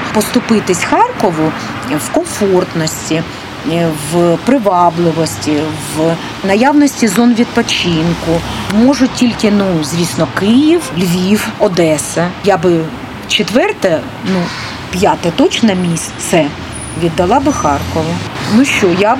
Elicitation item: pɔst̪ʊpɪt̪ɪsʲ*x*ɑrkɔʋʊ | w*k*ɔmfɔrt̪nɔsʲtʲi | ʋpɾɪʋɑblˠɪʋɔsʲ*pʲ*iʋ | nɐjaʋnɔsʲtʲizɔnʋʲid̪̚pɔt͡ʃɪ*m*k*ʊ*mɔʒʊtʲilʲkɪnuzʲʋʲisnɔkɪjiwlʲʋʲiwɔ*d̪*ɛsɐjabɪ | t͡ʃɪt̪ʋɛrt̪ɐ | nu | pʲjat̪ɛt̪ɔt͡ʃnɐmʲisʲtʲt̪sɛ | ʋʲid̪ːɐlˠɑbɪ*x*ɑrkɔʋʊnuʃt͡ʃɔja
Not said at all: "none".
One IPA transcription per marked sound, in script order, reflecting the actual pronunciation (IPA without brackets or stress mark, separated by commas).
x, k, tʲ, n, ʊ, d̪, x